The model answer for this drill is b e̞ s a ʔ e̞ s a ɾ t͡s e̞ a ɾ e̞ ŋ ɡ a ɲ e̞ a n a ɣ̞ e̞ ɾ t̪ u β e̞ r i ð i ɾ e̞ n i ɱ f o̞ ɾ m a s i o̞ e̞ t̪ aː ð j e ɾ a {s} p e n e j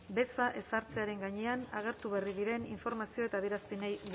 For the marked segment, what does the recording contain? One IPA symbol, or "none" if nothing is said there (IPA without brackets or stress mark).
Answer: s